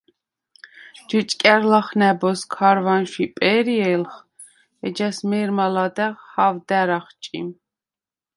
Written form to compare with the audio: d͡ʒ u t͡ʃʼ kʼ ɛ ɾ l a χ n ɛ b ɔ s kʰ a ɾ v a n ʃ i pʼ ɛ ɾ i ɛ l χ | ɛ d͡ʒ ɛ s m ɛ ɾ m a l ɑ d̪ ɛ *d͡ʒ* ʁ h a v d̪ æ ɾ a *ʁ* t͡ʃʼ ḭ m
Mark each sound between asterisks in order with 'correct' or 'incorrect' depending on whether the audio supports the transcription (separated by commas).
incorrect, incorrect